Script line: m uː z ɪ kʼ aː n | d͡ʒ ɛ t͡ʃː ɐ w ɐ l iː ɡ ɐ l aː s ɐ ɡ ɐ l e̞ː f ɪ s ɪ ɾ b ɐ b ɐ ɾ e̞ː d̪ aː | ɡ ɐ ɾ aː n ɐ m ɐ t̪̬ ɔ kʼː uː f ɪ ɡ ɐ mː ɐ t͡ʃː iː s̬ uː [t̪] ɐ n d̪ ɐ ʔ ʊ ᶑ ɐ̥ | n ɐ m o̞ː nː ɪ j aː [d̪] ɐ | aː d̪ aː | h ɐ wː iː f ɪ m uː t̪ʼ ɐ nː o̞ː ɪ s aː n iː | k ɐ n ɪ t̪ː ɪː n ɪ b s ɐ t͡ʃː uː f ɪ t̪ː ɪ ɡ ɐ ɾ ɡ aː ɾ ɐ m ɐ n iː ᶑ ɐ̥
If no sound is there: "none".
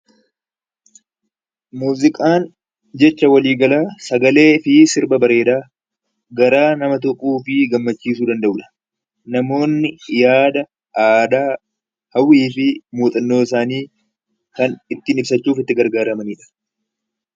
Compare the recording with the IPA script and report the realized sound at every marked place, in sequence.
d̪, d̪

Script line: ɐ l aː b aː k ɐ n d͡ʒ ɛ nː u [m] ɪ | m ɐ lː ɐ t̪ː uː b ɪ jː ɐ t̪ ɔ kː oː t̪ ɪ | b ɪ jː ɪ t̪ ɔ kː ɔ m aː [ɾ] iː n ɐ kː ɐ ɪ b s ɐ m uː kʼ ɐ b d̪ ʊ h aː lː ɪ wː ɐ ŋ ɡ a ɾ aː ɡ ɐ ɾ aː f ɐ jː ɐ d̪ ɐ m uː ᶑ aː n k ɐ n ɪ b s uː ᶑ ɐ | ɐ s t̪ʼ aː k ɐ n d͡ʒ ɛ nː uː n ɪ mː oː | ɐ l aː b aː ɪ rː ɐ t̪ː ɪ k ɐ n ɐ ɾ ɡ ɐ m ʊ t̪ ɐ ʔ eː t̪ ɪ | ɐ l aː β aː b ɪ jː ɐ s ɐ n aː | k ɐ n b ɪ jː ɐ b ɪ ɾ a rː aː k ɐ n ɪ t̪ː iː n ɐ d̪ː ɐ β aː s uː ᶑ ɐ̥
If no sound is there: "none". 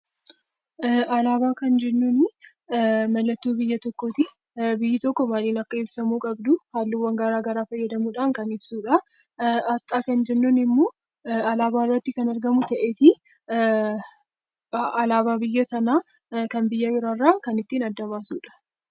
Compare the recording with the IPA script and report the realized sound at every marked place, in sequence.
n, l

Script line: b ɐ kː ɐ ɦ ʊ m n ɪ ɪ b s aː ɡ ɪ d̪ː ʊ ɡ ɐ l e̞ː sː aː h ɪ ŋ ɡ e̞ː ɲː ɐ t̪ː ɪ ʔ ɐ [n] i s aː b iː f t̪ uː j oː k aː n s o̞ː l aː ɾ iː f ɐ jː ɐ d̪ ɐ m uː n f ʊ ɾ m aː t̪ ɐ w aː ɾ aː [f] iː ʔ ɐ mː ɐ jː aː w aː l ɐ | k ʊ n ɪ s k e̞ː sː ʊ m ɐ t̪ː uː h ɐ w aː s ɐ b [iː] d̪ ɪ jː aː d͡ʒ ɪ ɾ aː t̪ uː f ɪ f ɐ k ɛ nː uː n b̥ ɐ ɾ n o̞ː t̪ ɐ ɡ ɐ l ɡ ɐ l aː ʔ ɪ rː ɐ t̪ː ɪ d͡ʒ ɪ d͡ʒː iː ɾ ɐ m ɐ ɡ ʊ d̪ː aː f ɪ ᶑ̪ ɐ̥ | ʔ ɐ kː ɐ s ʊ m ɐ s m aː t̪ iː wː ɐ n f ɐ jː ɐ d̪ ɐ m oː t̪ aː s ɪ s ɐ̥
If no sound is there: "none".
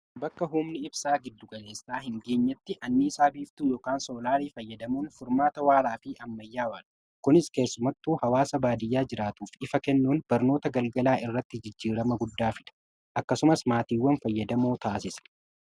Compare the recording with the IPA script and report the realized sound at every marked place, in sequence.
nː, f, aː

